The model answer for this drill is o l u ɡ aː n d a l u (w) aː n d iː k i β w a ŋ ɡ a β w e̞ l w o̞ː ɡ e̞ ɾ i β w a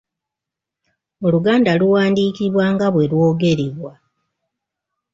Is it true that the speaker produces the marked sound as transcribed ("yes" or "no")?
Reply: yes